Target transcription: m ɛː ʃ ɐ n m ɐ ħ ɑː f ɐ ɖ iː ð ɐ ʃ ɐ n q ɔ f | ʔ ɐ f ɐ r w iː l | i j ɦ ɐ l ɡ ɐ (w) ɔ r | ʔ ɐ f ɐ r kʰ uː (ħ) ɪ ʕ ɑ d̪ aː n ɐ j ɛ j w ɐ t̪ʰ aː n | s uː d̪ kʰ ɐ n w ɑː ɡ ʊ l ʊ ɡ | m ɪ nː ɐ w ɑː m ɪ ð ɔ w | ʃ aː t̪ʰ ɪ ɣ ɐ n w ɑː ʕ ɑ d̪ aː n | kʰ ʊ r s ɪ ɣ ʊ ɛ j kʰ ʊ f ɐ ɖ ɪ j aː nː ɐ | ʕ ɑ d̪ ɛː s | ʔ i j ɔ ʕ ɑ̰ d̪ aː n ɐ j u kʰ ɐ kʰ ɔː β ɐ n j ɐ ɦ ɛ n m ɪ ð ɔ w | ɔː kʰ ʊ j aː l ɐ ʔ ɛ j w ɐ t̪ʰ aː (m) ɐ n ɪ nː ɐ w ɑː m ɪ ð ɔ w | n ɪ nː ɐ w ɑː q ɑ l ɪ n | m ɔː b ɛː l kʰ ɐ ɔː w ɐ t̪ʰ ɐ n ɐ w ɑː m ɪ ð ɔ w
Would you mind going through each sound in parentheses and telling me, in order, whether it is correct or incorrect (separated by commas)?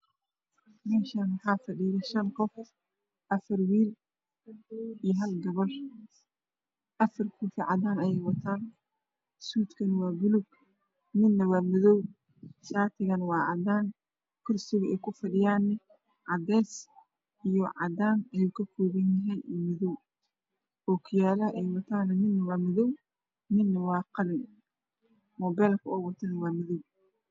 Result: incorrect, incorrect, incorrect